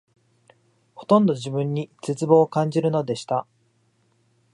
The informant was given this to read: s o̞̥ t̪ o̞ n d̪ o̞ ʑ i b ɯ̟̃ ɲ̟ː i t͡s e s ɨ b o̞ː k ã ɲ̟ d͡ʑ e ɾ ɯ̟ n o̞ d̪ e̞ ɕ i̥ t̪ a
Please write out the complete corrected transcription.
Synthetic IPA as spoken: h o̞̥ t̪ õ̞ n d̪ o̞ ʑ i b ɯ̟̃ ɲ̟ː i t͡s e t͡s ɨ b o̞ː k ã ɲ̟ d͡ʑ i ɾ ɯ̟ n o̞ d̪ e̞ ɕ i̥ t̪ a